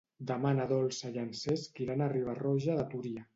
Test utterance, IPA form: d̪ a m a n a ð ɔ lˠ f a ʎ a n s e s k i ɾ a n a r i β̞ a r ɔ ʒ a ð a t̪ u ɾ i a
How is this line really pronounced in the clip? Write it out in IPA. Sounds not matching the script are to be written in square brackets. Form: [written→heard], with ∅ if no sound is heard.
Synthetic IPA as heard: d̪ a m a n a ð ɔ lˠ [f→s] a ʎ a n s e s k i ɾ a n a r i β̞ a r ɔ ʒ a ð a t̪ u ɾ i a